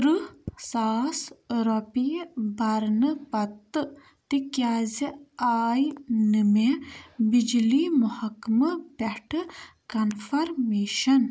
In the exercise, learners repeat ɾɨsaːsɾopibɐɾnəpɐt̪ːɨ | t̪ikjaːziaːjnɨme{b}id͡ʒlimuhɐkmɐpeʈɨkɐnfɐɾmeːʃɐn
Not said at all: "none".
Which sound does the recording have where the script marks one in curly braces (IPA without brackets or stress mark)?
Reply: b